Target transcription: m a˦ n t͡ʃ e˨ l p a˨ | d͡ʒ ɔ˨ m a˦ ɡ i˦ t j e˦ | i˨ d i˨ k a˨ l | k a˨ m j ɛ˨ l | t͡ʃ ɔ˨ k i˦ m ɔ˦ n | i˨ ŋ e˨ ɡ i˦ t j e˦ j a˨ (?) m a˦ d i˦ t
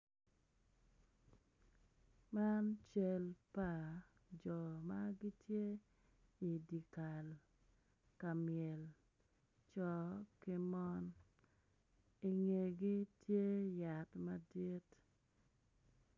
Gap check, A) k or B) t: B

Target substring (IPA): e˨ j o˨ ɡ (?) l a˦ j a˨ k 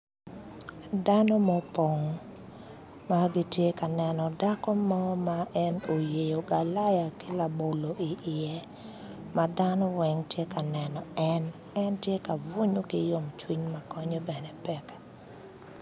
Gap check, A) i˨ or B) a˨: B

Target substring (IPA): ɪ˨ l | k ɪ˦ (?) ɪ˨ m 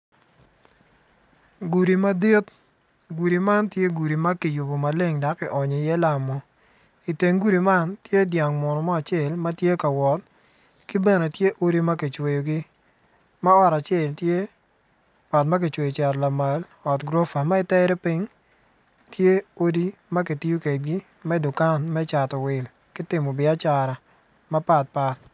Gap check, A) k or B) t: B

